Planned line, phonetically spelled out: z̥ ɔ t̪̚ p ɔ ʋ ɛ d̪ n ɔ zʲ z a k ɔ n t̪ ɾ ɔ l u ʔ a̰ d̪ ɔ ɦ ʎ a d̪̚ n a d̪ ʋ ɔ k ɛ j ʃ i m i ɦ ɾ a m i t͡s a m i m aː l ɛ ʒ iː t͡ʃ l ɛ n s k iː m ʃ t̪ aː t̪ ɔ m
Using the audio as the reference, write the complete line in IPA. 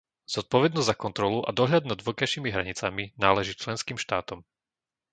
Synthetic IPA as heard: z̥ ɔ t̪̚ p ɔ ʋ ɛ d̪ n ɔ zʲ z a k ɔ n t̪ ɾ ɔ l u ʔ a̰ d̪ ɔ ɦ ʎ a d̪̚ n a d̪ ʋ ɔ k a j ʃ i m i ɦ ɾ a ɲ i t͡s a m i n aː l ɛ ʒ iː t͡ʃ l ɛ n s k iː m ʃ t̪ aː t̪ ɔ m